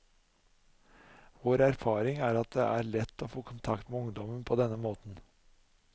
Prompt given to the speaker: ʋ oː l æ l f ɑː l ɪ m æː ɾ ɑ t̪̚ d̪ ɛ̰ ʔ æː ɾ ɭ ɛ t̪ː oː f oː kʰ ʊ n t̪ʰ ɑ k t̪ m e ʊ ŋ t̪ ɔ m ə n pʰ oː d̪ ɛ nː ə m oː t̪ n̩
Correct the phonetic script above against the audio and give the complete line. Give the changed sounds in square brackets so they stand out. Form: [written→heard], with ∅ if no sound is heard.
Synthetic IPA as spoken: ʋ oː [l→ɾ] æ [l→ɾ] f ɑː [l→ɾ] ɪ [m→ŋ] æː ɾ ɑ t̪̚ d̪ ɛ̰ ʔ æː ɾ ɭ ɛ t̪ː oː f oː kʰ ʊ n t̪ʰ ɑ k t̪ m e ʊ ŋ [t̪→d̪] ɔ m ə n pʰ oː d̪ ɛ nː ə m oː t̪ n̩